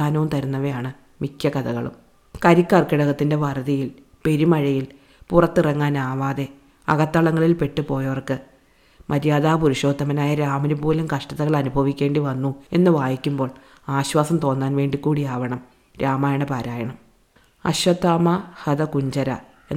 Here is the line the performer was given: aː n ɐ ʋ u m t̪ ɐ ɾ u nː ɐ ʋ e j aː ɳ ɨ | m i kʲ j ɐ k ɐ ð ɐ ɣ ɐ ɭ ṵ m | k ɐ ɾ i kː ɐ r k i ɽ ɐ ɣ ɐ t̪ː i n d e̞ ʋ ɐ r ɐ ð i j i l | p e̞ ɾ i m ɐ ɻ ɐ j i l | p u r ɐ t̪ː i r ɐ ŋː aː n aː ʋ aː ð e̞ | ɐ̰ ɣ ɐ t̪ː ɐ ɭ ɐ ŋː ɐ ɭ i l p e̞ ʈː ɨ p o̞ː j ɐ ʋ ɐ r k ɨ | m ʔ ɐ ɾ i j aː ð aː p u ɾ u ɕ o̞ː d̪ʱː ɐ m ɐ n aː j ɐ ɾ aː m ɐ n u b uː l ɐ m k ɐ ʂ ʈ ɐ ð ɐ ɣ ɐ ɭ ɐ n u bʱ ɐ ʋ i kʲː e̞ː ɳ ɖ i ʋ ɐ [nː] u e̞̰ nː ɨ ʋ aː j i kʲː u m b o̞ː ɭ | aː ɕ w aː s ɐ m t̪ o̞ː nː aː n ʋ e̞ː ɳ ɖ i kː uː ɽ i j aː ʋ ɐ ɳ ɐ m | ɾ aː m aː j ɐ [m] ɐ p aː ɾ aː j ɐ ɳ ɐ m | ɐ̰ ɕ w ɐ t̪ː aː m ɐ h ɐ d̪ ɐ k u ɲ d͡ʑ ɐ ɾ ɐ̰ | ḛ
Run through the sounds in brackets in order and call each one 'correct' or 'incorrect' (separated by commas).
correct, incorrect